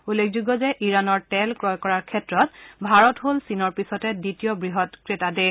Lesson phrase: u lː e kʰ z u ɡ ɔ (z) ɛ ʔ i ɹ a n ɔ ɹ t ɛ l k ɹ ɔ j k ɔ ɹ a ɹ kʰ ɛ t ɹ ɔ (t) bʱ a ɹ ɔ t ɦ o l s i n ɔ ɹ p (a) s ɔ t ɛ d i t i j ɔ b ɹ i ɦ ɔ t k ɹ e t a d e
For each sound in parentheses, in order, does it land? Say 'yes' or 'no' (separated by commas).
yes, yes, no